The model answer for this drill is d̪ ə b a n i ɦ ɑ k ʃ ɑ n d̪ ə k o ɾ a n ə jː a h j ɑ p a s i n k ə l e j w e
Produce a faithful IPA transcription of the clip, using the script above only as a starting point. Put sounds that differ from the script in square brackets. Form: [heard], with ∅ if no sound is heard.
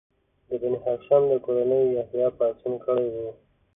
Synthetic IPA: d̪ ə b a n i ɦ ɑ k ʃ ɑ n d̪ ə k o ɾ a n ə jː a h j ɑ p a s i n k ə [ɽ] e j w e